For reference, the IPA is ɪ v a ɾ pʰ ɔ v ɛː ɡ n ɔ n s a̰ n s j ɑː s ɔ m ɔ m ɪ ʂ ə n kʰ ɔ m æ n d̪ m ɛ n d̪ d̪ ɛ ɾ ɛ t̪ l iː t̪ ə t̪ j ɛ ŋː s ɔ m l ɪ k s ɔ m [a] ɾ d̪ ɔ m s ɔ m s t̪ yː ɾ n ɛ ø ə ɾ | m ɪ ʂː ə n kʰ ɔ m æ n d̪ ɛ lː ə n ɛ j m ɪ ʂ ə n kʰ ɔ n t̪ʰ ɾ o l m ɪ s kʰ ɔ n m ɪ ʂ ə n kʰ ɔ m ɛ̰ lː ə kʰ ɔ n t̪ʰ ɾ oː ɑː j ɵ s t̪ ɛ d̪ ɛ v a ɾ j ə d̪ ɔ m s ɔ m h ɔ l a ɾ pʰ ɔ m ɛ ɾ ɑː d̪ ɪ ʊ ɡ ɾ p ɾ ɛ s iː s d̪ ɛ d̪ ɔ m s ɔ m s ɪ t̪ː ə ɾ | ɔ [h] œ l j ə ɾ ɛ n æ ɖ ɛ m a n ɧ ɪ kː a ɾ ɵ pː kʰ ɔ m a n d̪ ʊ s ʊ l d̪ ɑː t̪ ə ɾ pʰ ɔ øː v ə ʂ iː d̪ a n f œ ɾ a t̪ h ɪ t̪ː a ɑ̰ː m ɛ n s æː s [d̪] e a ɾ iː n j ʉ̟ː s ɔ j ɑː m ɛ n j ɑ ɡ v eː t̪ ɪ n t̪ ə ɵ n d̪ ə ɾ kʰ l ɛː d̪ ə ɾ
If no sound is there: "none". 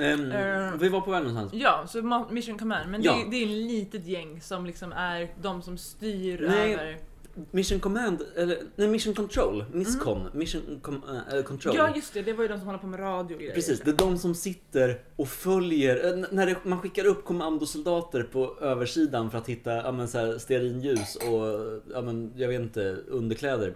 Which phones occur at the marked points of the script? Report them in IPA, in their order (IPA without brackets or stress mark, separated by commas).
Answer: æ, f, t̪